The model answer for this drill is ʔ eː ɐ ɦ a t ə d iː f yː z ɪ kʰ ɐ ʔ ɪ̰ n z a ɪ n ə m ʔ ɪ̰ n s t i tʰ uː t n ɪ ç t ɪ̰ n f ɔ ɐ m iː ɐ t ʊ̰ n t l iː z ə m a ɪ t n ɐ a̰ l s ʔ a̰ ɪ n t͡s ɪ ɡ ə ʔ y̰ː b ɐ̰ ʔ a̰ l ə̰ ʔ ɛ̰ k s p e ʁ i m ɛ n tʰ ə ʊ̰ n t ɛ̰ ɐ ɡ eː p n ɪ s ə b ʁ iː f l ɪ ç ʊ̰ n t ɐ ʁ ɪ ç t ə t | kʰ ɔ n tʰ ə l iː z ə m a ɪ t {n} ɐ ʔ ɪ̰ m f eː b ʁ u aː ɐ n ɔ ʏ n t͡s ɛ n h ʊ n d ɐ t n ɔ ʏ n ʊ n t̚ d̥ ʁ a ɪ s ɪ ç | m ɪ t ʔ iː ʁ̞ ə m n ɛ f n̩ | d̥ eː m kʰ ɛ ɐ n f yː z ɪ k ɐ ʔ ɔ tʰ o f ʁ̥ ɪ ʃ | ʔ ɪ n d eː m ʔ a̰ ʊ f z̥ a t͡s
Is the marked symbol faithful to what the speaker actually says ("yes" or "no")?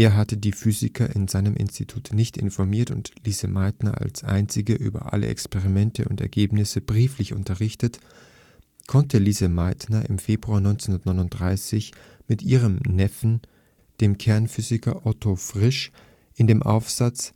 yes